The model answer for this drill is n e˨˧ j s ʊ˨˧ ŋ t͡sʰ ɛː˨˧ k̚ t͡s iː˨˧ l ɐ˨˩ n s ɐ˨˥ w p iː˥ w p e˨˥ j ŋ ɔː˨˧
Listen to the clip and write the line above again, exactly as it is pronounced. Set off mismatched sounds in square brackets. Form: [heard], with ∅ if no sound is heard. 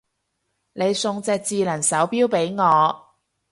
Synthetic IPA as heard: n e˨˧ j s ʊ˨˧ ŋ [t͡s] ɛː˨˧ k̚ t͡s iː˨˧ l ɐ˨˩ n s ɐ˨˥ w p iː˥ w p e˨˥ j ŋ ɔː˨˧

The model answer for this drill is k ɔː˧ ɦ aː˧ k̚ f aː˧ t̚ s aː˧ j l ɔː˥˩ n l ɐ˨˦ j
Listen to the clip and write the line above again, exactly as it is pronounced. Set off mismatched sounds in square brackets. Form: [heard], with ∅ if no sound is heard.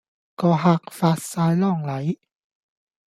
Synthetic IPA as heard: k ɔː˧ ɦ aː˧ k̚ f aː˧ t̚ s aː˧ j l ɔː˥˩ [ŋ] l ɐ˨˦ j

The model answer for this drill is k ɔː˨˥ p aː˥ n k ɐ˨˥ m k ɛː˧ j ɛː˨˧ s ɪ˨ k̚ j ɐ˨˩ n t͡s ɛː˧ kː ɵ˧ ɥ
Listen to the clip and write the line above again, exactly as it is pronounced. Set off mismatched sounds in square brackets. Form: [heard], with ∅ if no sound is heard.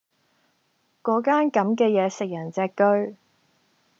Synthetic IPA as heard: k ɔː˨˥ [k] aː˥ n k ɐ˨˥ m k ɛː˧ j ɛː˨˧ s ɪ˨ k̚ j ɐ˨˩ n t͡s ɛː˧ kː [ɵ˥] ɥ

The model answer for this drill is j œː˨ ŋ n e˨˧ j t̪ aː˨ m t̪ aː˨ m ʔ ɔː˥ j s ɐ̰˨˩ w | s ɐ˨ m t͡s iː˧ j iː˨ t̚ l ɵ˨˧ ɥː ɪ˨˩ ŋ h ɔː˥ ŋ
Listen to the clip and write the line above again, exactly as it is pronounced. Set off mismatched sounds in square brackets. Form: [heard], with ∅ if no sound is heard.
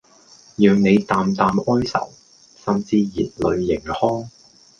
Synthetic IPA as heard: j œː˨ ŋ n e˨˧ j t̪ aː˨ m t̪ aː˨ m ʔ ɔː˥ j s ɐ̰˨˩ w | s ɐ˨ m t͡s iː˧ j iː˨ t̚ l ɵ˨˧ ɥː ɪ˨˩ ŋ h ɔː˥ ŋ

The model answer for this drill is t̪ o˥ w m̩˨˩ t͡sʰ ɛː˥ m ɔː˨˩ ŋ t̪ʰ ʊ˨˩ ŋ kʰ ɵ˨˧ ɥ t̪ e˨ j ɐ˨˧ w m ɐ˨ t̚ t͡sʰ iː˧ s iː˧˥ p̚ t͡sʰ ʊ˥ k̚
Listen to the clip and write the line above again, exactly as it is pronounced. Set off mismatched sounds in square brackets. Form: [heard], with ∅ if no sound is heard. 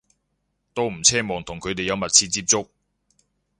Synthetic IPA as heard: t̪ o˥ w m̩˨˩ t͡sʰ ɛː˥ m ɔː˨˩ ŋ t̪ʰ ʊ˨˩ ŋ kʰ ɵ˨˧ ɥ t̪ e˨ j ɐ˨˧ w m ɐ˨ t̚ t͡sʰ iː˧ [t͡s] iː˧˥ p̚ [t͡s] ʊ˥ k̚

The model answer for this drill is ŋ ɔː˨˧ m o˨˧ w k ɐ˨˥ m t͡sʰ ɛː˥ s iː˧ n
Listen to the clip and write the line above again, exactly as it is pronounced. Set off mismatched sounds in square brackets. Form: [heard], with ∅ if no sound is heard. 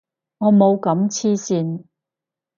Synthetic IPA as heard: ŋ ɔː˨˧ m o˨˧ w k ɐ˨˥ m t͡sʰ [iː˥] s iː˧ n

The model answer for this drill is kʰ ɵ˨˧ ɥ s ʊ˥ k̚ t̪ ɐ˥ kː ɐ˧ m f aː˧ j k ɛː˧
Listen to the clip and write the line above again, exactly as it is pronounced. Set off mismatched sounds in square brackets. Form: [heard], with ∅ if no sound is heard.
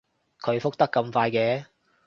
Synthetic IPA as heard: kʰ ɵ˨˧ ɥ [f] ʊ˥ k̚ t̪ ɐ˥ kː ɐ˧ m f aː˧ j k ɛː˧

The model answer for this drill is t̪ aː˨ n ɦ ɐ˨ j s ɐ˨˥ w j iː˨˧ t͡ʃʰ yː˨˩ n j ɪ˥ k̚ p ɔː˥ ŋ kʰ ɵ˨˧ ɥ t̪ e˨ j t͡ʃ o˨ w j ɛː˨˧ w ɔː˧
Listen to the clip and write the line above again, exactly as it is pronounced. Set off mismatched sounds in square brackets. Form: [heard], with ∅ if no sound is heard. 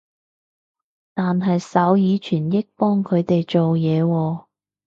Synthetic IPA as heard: t̪ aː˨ n ɦ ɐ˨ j s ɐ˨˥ w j iː˨˧ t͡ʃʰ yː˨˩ n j ɪ˥ k̚ p ɔː˥ ŋ kʰ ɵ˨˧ ɥ t̪ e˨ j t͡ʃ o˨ w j ɛː˨˧ w ɔː˧

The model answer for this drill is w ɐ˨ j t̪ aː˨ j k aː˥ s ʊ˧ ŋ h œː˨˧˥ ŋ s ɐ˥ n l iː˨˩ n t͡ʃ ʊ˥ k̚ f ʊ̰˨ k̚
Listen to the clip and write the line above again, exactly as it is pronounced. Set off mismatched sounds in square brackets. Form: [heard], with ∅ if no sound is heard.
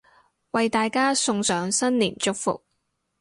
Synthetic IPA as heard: w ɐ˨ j t̪ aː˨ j k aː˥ s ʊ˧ ŋ [s] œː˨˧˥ ŋ s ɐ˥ n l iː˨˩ n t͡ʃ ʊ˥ k̚ f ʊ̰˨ k̚

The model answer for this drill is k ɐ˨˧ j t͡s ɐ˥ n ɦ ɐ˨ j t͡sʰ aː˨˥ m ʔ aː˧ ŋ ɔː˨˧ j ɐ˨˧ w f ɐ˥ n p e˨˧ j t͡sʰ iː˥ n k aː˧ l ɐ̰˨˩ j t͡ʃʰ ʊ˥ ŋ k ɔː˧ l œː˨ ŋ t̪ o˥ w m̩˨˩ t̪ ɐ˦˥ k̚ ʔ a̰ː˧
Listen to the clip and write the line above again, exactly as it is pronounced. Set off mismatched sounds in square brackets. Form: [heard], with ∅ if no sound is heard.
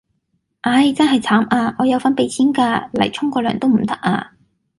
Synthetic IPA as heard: [ʔ] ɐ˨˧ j t͡s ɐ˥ n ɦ ɐ˨ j t͡sʰ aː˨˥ m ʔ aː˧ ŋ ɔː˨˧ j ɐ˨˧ w f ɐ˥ n p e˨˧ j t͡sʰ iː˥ n k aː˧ l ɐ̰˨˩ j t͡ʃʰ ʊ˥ ŋ k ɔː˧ l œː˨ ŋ t̪ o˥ w m̩˨˩ t̪ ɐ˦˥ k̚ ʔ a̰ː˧

